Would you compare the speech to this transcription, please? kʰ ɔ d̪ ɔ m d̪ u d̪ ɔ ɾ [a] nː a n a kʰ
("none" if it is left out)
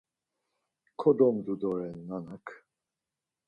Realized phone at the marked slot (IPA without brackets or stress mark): ɛ